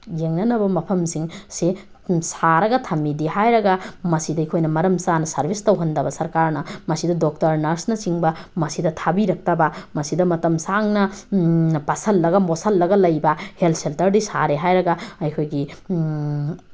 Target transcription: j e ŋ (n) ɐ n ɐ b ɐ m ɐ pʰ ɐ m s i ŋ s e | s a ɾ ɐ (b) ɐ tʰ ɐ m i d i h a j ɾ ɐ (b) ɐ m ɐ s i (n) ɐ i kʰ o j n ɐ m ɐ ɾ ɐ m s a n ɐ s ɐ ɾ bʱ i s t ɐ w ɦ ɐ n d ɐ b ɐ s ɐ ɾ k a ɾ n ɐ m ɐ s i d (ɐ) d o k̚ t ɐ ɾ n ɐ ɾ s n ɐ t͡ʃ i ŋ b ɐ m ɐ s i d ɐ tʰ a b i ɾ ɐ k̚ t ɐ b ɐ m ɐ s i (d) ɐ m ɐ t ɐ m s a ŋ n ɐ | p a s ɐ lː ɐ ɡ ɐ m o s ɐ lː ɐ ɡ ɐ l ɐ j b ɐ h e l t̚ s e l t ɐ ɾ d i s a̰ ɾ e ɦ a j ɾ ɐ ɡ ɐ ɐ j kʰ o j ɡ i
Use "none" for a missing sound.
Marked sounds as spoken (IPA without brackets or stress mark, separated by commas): n, ɡ, ɡ, d, ɐ, d